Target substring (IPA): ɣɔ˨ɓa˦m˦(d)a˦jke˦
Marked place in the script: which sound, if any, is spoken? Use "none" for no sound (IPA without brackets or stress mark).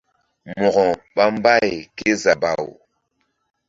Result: b